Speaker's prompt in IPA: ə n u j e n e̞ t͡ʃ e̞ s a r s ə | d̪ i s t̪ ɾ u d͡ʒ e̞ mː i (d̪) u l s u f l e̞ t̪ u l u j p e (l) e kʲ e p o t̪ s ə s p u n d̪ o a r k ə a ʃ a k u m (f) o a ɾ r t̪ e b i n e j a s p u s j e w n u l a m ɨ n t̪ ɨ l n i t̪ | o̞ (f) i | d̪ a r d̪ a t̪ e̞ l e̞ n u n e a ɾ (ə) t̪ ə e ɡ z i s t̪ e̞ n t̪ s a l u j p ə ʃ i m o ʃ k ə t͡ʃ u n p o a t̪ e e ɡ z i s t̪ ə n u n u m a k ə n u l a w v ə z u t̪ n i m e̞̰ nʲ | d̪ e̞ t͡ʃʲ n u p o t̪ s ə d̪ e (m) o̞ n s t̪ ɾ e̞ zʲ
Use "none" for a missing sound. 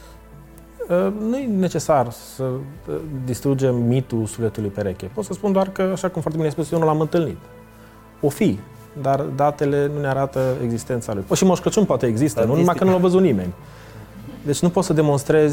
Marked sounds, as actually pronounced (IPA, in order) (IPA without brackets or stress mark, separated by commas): t̪, ɾ, f, f, a, m